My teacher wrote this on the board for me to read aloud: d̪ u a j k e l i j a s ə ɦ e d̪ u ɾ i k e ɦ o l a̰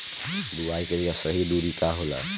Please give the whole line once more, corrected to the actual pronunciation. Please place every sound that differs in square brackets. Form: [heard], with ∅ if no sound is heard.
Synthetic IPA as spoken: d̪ u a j k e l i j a s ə ɦ [i] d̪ u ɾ i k [a] ɦ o l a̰

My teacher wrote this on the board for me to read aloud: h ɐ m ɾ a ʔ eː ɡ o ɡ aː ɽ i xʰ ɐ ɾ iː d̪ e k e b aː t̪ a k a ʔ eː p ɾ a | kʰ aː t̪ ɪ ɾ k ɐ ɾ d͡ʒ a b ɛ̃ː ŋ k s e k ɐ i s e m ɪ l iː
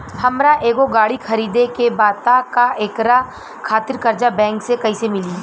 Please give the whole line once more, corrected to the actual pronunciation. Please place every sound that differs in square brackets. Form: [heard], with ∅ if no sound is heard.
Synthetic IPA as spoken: h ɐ m ɾ a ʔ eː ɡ o ɡ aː ɽ i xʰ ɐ ɾ iː d̪ e k e b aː t̪ a k a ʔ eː [k] ɾ a | kʰ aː t̪ ɪ ɾ k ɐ ɾ d͡ʒ a b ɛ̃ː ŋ k s e k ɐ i s e m ɪ l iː

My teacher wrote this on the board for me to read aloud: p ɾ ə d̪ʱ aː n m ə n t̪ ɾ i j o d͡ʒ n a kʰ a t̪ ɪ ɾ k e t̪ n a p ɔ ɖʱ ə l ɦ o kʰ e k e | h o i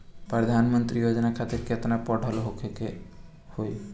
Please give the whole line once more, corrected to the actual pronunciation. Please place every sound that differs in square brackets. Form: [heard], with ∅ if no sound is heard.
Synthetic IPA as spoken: p ɾ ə d̪ʱ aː n m ə n t̪ ɾ i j o d͡ʒ n a kʰ a t̪ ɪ ɾ k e t̪ n a p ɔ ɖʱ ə l ɦ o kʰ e k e | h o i

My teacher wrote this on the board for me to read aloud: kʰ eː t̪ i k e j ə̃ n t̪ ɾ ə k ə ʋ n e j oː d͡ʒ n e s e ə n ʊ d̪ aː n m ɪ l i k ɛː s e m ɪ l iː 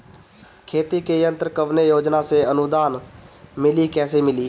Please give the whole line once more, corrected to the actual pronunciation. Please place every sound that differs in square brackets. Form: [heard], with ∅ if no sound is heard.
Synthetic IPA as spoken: kʰ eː t̪ i k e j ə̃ n t̪ ɾ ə k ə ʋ n e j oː d͡ʒ n [a] s e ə n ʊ d̪ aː n m ɪ l i k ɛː s e m ɪ l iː

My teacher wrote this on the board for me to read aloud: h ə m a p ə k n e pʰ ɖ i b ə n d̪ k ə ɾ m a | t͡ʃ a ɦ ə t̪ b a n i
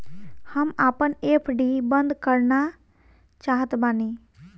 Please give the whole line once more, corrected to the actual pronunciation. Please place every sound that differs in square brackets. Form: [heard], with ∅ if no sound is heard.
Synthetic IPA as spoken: h ə m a p ə [∅] n e pʰ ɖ i b ə n d̪ k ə ɾ [n] a | t͡ʃ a ɦ ə t̪ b a n i

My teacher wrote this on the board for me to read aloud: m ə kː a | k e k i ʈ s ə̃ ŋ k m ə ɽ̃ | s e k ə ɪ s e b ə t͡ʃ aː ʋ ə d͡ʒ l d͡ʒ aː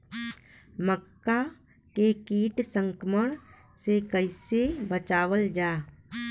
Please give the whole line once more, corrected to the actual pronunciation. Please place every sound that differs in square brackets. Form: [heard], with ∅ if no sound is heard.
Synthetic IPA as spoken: m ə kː a | k e k [iː] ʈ s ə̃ ŋ k m ə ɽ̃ | s e k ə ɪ s e b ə t͡ʃ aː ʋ ə [∅] l d͡ʒ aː

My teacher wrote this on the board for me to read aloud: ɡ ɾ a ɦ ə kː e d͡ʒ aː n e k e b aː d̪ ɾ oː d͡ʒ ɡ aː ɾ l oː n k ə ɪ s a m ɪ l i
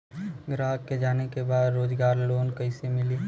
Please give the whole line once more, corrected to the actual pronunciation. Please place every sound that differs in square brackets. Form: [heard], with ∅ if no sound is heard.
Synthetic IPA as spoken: ɡ ɾ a ɦ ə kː e d͡ʒ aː n e k e b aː d̪ ɾ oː d͡ʒ ɡ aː ɾ l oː n k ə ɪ s [e] m ɪ l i

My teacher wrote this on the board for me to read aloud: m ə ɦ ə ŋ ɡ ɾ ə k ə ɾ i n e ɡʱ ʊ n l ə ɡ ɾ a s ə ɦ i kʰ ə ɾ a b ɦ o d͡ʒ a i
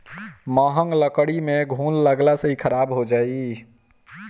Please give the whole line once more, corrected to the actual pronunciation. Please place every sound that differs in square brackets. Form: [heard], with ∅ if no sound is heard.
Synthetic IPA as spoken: m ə ɦ ə ŋ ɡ [l] ə k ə [ɽ] i [m] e ɡʱ [u] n l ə ɡ [l] a s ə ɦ i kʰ ə ɾ a b ɦ o d͡ʒ a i

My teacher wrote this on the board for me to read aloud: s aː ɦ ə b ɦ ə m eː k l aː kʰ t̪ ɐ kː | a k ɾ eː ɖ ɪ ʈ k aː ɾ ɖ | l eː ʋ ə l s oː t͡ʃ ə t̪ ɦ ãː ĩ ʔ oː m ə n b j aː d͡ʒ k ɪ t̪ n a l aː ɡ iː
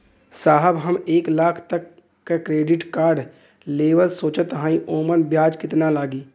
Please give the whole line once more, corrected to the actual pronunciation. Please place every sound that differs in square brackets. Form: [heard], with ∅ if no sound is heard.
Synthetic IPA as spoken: s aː ɦ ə b ɦ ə m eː k l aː kʰ t̪ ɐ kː | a k ɾ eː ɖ ɪ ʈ k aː ɾ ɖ | l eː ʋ ə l s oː t͡ʃ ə t̪ ɦ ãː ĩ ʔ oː m ə n b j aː d͡ʒ k ɪ t̪ n a l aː ɡ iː

